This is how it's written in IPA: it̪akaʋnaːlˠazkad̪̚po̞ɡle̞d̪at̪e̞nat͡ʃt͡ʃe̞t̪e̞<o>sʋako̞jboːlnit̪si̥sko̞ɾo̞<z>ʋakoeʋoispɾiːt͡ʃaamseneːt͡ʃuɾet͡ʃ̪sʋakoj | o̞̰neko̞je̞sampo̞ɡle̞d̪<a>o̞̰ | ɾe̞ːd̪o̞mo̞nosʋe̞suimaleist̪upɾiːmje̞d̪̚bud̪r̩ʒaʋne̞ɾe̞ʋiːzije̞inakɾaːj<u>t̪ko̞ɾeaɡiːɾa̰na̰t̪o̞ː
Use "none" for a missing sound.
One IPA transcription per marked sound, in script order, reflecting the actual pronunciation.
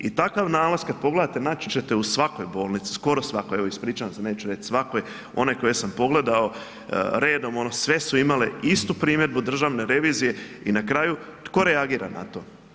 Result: u, s, a, u

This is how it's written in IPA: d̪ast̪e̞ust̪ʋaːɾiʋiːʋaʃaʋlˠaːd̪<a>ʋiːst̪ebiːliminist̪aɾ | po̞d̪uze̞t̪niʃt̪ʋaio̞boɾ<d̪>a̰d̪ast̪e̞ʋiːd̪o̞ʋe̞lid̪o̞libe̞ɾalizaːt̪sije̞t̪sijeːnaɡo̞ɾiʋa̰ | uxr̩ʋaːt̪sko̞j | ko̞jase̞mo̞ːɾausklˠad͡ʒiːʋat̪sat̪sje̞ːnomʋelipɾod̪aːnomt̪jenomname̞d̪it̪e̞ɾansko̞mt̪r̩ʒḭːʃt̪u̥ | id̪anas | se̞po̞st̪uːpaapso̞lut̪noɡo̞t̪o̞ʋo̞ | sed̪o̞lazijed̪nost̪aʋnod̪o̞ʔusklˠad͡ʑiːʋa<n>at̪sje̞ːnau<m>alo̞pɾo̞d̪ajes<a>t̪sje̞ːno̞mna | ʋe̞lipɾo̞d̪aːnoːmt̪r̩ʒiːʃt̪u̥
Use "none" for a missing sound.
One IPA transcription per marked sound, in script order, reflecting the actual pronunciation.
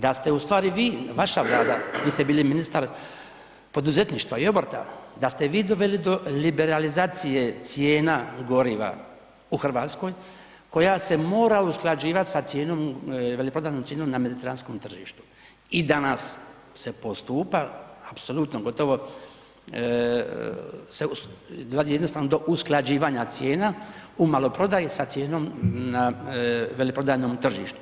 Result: a, t̪, ɲ, m, a

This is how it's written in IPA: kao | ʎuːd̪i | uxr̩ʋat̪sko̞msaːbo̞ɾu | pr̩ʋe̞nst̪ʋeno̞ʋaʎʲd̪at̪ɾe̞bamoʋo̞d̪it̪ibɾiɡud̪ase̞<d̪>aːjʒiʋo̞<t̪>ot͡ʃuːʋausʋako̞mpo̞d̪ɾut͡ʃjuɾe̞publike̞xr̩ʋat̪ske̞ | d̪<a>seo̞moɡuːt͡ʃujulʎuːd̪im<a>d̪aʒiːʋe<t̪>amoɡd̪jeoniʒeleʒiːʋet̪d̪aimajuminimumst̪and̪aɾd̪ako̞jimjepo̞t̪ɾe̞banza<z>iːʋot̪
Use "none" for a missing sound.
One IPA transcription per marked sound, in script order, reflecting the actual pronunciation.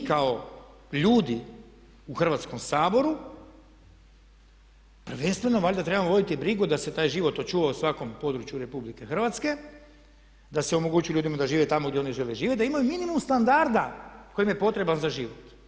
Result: t̪, t̪, a, a, t̪, ʒ

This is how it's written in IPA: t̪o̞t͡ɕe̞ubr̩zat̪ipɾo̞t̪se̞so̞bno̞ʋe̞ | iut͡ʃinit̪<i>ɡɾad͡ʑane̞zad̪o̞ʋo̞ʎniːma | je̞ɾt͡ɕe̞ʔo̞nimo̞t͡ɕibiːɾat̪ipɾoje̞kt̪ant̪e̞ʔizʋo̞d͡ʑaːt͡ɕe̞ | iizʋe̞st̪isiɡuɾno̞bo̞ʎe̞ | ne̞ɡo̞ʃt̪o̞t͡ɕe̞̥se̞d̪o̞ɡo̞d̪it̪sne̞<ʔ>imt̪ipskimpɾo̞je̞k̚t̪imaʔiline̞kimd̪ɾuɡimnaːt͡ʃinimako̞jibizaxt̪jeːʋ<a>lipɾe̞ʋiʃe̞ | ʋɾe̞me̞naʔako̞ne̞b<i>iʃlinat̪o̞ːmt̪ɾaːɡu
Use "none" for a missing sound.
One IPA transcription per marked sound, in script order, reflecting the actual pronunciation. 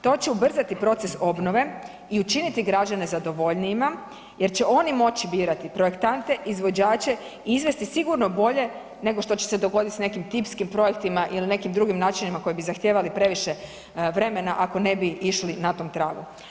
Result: i, k, a, i

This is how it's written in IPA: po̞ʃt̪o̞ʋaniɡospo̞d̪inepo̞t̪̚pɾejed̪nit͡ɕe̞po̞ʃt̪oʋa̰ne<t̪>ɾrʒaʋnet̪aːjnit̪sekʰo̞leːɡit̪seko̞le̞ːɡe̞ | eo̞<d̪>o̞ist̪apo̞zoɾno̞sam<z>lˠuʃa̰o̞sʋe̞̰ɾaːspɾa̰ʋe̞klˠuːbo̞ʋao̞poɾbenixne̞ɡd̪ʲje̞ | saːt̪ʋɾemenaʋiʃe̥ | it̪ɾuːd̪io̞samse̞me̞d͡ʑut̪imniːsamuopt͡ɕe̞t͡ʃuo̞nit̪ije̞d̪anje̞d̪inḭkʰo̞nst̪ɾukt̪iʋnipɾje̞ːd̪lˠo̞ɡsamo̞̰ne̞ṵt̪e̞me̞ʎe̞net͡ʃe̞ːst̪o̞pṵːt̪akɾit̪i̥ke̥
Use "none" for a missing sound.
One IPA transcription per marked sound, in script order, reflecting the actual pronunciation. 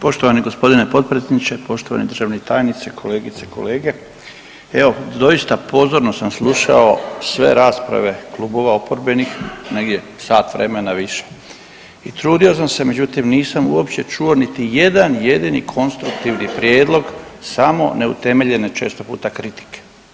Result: d̪, d̪, s

